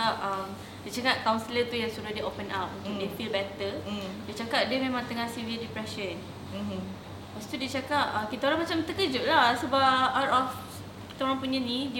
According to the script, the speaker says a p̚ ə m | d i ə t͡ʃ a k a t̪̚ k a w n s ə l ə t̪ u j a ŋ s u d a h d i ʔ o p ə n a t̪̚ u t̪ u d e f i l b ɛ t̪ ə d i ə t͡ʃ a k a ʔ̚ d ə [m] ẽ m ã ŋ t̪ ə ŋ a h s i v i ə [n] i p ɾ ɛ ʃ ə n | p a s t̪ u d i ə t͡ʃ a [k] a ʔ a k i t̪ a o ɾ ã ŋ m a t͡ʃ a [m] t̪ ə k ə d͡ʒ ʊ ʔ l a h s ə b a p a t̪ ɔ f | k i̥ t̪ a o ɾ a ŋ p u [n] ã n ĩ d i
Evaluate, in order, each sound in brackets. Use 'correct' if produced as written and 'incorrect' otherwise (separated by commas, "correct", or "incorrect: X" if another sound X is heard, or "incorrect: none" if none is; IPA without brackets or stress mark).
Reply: correct, incorrect: d, correct, correct, incorrect: ɲ